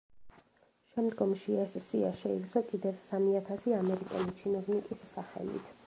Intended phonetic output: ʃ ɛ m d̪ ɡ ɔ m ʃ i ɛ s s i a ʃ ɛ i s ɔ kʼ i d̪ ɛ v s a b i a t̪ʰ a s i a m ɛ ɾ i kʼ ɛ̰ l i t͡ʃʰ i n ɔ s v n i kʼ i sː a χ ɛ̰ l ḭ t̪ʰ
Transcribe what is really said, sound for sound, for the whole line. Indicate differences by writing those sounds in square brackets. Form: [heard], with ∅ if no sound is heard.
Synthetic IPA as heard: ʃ ɛ m d̪ ɡ ɔ m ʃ i ɛ s s i a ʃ ɛ i s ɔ kʼ i d̪ ɛ v s a [m] i a t̪ʰ a s i a m ɛ ɾ i kʼ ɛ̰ l i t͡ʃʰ i n ɔ [∅] v n i kʼ i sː a χ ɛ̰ l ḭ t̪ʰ